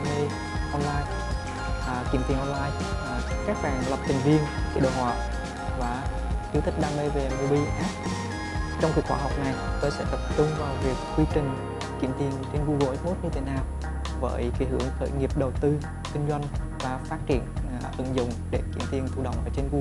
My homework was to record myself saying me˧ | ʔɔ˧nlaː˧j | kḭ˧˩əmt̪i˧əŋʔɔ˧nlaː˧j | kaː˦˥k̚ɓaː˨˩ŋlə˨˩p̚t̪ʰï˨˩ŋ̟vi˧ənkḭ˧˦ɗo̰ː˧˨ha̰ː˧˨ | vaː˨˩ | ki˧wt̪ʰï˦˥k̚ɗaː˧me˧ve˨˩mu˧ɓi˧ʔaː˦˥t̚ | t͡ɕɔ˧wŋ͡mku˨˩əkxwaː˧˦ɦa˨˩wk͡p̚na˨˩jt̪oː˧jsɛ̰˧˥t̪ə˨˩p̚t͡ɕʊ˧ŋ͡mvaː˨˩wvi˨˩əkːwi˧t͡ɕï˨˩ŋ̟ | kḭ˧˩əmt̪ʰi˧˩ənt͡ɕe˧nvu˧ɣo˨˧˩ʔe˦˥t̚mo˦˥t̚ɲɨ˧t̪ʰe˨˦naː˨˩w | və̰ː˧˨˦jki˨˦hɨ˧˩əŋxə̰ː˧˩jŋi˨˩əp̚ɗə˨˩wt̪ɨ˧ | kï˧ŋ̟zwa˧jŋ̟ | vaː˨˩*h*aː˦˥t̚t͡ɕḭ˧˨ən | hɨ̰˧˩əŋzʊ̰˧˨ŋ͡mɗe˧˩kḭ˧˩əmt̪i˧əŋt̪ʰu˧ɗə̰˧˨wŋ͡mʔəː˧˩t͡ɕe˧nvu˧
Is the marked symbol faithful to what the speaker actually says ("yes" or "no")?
no